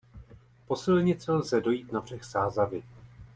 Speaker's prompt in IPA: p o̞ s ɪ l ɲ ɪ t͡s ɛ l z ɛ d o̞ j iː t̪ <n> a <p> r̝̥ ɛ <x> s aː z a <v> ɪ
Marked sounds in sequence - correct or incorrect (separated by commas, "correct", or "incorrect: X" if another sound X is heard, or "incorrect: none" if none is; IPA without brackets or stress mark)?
correct, incorrect: b, correct, correct